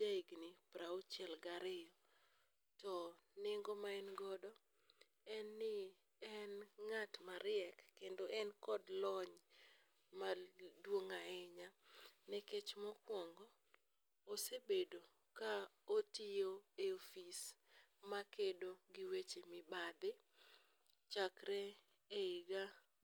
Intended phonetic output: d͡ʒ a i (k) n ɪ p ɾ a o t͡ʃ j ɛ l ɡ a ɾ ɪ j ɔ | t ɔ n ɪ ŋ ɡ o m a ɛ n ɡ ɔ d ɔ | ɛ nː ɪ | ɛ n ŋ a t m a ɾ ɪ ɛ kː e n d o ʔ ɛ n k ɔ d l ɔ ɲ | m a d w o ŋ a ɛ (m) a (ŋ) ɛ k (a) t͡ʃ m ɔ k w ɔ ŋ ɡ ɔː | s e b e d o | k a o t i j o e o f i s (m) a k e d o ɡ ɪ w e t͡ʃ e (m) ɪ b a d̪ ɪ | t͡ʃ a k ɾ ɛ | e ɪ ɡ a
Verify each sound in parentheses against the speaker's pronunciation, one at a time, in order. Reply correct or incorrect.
incorrect, incorrect, incorrect, incorrect, correct, correct

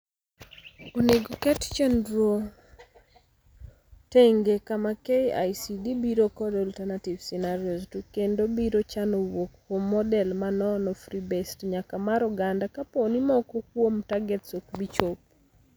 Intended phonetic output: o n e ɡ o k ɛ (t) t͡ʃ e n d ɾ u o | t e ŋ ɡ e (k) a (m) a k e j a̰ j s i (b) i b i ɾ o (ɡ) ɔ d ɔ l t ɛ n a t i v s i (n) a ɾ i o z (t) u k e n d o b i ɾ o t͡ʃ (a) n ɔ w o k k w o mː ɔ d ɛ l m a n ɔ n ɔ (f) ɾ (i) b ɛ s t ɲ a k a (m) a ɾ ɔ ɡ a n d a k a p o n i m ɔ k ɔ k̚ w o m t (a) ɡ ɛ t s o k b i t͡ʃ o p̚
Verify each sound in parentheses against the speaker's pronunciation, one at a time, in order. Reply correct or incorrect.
correct, correct, correct, incorrect, incorrect, correct, correct, correct, correct, correct, correct, correct

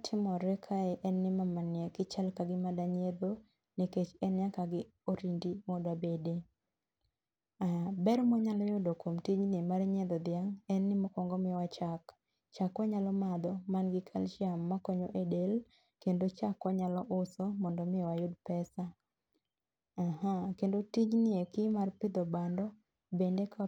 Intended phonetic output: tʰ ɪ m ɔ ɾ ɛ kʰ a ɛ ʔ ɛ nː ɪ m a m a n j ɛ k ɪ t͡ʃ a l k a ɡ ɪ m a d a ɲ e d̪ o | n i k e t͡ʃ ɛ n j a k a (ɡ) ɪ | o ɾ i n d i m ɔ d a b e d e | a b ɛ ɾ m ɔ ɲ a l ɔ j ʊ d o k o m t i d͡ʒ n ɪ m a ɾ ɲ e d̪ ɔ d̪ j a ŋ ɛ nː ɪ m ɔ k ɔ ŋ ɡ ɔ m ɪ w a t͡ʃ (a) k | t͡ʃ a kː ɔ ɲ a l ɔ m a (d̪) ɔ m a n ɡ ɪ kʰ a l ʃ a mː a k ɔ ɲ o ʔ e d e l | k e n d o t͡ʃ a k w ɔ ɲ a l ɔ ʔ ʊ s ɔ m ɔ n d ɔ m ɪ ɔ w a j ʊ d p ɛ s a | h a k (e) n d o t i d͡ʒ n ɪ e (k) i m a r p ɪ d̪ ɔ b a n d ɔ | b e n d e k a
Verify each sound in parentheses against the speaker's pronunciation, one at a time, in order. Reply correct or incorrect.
correct, correct, correct, correct, correct

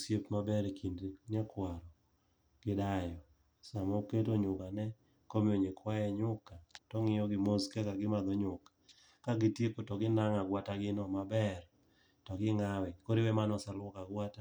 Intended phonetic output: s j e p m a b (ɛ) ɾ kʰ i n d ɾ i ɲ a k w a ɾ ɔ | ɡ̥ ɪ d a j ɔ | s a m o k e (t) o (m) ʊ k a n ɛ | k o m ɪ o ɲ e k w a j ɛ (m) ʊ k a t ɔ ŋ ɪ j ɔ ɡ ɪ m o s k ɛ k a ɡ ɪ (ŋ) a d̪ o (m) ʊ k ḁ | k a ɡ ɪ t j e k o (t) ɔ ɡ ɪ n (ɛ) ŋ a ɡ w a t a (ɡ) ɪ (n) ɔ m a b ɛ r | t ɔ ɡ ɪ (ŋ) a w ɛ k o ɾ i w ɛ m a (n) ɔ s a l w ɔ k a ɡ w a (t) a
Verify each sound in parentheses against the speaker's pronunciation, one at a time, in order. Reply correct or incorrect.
correct, correct, incorrect, incorrect, incorrect, incorrect, correct, incorrect, correct, correct, correct, correct, correct

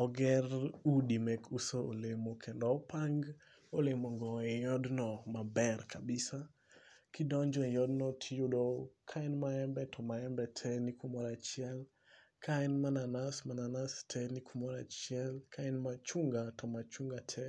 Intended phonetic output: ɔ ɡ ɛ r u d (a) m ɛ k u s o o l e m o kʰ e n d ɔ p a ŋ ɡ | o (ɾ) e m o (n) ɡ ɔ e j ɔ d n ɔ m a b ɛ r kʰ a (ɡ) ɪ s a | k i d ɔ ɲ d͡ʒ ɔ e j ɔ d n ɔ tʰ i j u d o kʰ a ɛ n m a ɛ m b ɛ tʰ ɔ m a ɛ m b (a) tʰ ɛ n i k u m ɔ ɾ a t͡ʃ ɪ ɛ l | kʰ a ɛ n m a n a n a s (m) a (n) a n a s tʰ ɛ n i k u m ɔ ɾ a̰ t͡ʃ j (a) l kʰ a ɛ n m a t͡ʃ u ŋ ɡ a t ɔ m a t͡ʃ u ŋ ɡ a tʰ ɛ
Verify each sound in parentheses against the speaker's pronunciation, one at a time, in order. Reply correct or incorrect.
incorrect, incorrect, incorrect, incorrect, incorrect, correct, correct, incorrect

